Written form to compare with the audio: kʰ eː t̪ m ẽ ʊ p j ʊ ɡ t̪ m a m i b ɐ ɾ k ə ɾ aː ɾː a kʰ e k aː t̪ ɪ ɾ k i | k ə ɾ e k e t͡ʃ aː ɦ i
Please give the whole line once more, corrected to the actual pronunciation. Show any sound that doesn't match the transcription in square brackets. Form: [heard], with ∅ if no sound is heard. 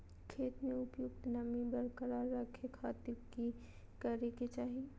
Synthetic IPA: kʰ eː t̪ m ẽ ʊ p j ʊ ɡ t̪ [n] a m i b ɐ ɾ k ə ɾ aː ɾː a kʰ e [kʰ] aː t̪ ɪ ɾ k i | k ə ɾ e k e t͡ʃ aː ɦ i

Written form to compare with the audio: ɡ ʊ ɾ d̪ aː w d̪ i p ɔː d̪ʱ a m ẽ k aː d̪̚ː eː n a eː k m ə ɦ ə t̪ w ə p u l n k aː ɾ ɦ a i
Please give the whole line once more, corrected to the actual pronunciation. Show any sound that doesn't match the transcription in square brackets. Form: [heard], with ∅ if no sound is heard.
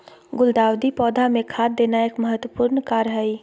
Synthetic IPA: ɡ ʊ [l] d̪ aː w d̪ i p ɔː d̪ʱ a m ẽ [kʰ] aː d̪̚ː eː n a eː k m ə ɦ ə t̪ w ə p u [ɾ] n k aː ɾ ɦ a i

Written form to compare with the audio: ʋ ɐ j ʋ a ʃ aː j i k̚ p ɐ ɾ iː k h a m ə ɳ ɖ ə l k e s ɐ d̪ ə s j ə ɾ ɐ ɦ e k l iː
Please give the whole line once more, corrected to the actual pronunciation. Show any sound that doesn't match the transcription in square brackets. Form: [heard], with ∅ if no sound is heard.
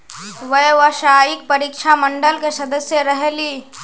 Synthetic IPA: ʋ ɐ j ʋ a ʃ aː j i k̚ p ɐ ɾ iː k [ʃ] a m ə ɳ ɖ ə l k e s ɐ d̪ ə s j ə ɾ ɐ ɦ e [∅] l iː

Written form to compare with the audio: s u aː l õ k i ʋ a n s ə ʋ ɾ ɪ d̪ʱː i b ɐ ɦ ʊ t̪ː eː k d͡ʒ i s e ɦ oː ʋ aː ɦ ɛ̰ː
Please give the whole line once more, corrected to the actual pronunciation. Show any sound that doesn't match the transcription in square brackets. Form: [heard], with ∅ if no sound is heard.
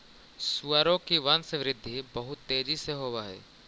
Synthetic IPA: s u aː [ɾ] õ k i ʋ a n s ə ʋ ɾ ɪ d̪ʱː i b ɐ ɦ ʊ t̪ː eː [∅] d͡ʒ i s e ɦ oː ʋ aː ɦ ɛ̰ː

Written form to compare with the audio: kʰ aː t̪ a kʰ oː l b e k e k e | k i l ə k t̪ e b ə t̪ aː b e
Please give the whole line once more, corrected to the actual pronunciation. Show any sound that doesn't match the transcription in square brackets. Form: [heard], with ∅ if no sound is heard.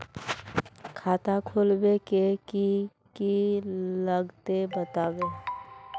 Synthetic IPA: kʰ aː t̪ a kʰ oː l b e k e k [i] | k i l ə [ɡ] t̪ e b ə t̪ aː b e

